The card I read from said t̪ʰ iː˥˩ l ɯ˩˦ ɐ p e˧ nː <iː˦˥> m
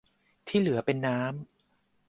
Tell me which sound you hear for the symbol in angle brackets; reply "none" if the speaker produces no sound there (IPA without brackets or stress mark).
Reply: aː˦˥